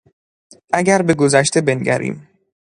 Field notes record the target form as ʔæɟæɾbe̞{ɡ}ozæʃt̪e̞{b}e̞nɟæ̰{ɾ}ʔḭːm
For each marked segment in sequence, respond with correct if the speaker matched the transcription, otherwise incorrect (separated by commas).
correct, correct, correct